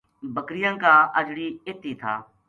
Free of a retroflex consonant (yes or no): no